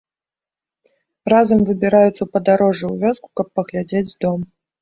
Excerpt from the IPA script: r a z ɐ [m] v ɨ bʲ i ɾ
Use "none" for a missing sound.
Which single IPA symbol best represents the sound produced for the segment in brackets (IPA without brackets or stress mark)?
m